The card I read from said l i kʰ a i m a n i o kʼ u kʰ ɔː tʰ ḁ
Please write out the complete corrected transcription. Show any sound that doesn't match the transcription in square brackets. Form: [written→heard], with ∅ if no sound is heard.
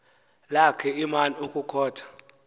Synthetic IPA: l [i→a] kʰ [a→ɛ] i m a n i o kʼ u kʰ ɔː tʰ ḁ